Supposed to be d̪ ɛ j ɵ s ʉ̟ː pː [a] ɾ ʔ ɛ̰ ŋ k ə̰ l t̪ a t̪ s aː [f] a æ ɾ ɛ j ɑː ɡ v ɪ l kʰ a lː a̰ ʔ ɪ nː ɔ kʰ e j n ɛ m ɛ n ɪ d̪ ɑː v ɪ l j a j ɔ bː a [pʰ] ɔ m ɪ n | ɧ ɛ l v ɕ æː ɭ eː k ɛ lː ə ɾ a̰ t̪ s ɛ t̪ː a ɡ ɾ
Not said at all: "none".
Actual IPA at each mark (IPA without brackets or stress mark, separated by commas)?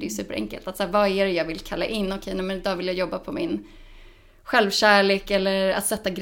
ə, v, pʰ